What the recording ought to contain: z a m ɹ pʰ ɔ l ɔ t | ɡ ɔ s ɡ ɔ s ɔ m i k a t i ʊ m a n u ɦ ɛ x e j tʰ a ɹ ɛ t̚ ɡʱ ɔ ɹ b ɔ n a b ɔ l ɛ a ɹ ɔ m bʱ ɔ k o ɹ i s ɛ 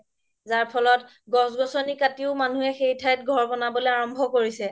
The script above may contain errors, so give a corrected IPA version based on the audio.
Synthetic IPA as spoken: z a ɹ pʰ ɔ l ɔ t | ɡ ɔ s ɡ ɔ s ɔ n i k a t i ʊ m a n u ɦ ɛ x e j tʰ a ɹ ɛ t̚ ɡʱ ɔ ɹ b ɔ n a b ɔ l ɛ a ɹ ɔ m bʱ ɔ k o ɹ i s ɛ

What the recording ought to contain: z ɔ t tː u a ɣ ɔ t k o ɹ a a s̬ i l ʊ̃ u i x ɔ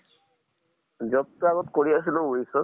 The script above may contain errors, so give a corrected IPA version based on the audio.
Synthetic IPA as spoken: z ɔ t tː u a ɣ ɔ t k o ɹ i a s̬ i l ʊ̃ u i s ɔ

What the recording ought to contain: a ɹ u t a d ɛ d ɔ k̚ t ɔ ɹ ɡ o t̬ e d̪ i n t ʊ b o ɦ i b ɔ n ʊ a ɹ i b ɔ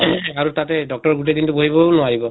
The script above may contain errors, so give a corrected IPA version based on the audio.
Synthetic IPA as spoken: a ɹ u t a t ɛ d ɔ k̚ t ɔ ɹ ɡ u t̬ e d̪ i n t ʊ b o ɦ i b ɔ n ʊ a ɹ i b ɔ

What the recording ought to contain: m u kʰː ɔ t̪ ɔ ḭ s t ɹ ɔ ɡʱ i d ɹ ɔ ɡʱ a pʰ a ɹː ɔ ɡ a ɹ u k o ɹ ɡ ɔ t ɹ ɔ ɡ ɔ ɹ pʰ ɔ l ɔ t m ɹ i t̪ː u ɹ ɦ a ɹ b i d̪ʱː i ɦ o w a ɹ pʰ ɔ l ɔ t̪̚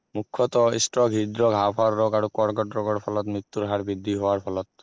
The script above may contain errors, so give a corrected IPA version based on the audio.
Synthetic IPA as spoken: m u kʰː ɔ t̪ ɔ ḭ s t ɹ ɔ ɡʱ i d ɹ ɔ ɡʱ a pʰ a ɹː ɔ ɡ a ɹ u k ɔ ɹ ɡ ɔ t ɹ ɔ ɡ ɔ ɹ pʰ ɔ l ɔ t m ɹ i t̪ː u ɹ ɦ a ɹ b i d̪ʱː i ɦ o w a ɹ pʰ ɔ l ɔ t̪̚

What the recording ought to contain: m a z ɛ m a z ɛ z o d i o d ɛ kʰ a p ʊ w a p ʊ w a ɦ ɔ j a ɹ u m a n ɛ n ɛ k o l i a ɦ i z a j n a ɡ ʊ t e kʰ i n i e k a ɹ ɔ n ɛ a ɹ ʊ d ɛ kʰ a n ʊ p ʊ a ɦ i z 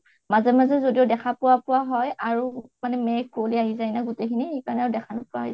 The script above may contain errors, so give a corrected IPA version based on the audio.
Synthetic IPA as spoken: m a z ɛ m a z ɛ z o d i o d ɛ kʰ a p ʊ w a p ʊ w a ɦ ɔ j a ɹ u m a n ɛ m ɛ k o l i a ɦ i z a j n a ɡ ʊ t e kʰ i n i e k a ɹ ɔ n ɛ a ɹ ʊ d ɛ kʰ a n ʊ p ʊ a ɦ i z

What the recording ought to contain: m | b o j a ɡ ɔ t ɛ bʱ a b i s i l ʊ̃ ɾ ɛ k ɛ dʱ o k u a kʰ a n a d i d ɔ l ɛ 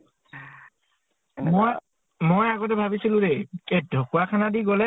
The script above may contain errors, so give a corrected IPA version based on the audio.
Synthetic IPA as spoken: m | m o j a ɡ ɔ t ɛ bʱ a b i s i l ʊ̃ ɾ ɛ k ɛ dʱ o k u a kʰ a n a d i ɡ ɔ l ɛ

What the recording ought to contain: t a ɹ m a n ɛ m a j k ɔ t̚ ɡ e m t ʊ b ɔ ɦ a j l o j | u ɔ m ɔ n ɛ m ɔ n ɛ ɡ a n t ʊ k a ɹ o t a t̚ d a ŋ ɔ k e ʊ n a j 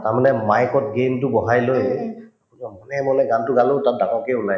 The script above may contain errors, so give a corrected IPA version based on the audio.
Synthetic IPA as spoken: t a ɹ m a n ɛ m a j k ɔ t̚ ɡ e m t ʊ b ɔ ɦ a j l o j | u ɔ m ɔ n ɛ m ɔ n ɛ ɡ a n t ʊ ɡ a l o t a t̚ d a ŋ ɔ k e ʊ n a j

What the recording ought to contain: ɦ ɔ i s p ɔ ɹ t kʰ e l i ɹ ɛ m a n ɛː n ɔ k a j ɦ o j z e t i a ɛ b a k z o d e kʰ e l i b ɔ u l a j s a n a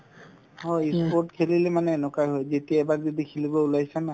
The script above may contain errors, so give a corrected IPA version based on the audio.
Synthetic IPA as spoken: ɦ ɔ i s p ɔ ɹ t kʰ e l i l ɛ m a n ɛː n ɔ k a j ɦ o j z e t i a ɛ b a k z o d i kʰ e l i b ɔ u l a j s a n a

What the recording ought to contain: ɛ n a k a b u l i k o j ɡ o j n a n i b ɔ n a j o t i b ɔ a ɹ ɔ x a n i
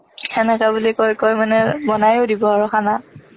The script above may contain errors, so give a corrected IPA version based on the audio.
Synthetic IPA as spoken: ɛ n ɛ k a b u l i k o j k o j m a n ɛ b ɔ n a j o d i b ɔ a ɹ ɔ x a n a

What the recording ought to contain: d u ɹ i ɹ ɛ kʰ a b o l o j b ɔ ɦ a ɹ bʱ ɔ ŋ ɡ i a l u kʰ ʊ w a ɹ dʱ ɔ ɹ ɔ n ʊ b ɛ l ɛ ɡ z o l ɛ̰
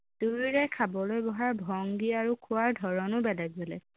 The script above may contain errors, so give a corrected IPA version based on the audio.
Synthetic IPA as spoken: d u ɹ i ɹ ɛ kʰ a b ɔ l o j b ɔ ɦ a ɹ bʱ ɔ ŋ ɡ i a ɹ u kʰ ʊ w a ɹ dʱ ɔ ɹ ɔ n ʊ b ɛ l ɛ ɡ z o l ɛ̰

